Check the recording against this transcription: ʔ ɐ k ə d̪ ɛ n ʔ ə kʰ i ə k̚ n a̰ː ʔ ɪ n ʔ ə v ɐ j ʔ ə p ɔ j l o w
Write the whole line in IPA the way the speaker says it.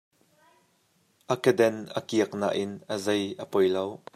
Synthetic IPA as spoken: ʔ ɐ k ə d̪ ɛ n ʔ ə k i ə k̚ n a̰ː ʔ ɪ n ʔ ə z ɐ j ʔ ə p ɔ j l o w